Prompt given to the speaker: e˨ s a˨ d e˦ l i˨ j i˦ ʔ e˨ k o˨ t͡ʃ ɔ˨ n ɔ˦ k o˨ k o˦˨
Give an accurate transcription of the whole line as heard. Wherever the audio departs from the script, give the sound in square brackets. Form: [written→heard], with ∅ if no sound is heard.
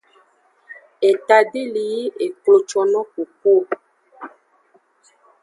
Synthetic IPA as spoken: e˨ [s→t] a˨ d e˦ l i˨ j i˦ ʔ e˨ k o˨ t͡ʃ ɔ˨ n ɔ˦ k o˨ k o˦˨